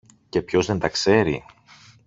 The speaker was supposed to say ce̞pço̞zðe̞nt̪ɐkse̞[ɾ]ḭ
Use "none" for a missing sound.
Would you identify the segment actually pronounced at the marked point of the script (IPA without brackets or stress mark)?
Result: ɾ